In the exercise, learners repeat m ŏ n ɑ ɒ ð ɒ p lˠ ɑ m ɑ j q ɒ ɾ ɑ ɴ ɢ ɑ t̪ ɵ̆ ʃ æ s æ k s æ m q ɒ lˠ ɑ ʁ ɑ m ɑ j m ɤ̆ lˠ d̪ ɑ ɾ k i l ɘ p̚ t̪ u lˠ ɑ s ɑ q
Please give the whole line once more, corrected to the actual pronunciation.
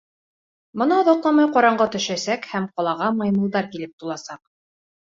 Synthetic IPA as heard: m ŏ n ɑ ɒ ð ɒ q lˠ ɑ m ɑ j q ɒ ɾ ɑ ɴ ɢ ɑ t̪ ɵ̆ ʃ æ s æ k h æ m q ɒ lˠ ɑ ʁ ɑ m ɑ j m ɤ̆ lˠ d̪ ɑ ɾ k i l ɘ p̚ t̪ u lˠ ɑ s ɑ q